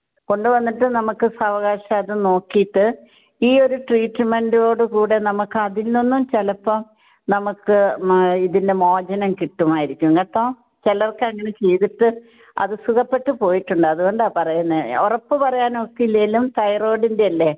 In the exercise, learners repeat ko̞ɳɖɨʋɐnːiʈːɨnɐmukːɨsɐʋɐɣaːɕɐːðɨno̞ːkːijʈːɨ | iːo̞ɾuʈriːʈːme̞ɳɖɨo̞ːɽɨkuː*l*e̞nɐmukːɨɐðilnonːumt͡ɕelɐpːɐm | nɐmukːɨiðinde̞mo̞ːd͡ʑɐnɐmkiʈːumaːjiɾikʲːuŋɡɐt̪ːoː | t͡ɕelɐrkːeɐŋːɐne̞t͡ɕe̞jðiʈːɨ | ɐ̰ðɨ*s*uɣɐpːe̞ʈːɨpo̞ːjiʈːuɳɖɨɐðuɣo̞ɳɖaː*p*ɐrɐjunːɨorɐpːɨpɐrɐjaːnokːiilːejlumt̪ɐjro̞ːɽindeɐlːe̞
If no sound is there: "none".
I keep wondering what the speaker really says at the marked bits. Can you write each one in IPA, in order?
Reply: ɽ, s, p

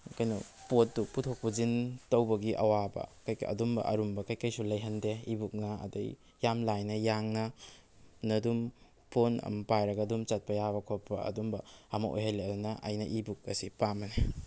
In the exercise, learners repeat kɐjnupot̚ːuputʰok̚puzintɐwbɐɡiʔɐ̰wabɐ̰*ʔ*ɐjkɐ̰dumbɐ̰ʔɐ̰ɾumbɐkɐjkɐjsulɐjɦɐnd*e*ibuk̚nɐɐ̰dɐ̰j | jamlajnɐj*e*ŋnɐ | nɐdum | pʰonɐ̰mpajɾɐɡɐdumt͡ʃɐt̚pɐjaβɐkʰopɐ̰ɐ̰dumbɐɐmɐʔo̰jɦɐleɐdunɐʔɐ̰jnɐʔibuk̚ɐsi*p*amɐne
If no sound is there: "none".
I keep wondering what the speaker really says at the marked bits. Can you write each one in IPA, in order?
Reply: k, e, a, p

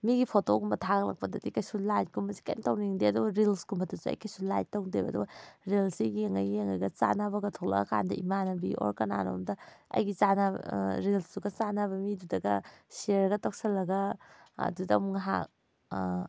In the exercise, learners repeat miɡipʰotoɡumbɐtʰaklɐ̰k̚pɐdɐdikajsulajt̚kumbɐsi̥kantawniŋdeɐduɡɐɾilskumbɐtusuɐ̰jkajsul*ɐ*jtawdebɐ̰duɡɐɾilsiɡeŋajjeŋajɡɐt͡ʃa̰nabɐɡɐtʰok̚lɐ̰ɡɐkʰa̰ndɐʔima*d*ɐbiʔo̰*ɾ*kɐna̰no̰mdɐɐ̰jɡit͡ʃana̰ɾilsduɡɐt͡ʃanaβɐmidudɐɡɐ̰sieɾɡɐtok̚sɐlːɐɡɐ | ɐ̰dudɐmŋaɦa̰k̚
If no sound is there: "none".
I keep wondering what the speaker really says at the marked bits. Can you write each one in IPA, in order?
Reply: a, n, ɾ

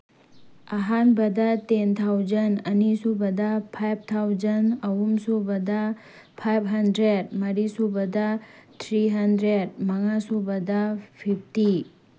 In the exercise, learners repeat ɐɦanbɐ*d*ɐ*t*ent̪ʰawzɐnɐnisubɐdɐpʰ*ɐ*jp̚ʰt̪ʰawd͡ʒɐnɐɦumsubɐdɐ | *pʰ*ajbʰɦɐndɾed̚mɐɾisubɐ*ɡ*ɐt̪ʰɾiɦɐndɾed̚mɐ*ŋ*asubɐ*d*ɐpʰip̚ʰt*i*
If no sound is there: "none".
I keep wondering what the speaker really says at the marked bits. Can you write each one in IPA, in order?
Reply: d, t, a, pʰ, d, ŋ, d, i

